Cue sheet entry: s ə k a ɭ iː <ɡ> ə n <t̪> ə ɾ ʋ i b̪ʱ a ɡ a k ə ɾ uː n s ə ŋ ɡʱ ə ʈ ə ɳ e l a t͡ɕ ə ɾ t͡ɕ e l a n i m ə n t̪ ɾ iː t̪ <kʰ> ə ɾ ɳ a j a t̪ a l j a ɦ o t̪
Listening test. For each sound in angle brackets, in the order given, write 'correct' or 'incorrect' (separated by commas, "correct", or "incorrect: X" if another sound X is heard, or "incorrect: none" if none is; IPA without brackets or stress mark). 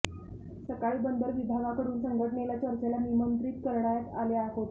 incorrect: b, incorrect: d̪, incorrect: k